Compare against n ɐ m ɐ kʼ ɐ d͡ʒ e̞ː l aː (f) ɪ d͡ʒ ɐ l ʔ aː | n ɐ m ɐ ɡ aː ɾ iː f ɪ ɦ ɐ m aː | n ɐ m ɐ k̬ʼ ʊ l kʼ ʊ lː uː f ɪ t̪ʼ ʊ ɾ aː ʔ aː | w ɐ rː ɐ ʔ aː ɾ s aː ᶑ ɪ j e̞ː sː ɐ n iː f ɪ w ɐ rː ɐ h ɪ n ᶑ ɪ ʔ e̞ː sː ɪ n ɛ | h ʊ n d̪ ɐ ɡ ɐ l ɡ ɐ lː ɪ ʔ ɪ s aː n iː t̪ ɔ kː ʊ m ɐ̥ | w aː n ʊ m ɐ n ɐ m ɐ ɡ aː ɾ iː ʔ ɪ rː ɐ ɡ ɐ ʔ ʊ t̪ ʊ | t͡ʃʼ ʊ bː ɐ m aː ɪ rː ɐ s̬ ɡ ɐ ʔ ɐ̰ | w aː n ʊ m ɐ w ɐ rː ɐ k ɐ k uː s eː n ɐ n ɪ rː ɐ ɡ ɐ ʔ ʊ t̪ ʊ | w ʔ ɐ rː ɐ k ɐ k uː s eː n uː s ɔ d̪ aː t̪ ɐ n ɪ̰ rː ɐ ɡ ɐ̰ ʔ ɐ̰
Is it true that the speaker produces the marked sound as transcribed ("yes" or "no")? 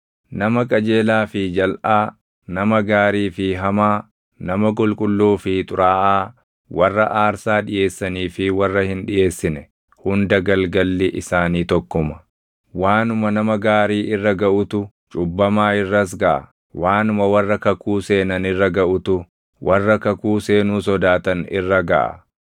yes